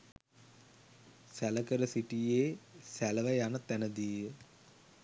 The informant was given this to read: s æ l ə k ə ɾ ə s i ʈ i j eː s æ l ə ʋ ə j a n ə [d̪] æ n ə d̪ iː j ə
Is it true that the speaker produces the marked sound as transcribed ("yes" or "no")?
no